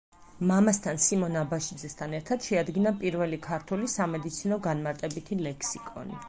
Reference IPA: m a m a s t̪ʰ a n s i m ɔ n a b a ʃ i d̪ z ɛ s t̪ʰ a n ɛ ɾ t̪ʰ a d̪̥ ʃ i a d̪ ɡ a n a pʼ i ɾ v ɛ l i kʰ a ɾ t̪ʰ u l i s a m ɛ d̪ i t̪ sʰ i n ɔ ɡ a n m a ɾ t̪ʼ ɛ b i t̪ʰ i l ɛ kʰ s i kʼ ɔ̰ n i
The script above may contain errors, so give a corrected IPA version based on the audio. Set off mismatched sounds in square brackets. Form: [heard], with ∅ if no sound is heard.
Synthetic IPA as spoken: m a m a s t̪ʰ a n s i m ɔ n a b a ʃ i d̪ z ɛ s t̪ʰ a n ɛ ɾ t̪ʰ a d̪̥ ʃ [ɛ] a d̪ ɡ [i] n a pʼ i ɾ v ɛ l i kʰ a ɾ t̪ʰ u l i s a m ɛ d̪ i t̪ sʰ i n ɔ ɡ a n m a ɾ t̪ʼ ɛ b i t̪ʰ i l ɛ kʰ s i kʼ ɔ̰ n i